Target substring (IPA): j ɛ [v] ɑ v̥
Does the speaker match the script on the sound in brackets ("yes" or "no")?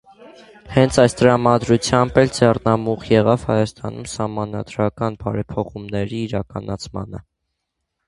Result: no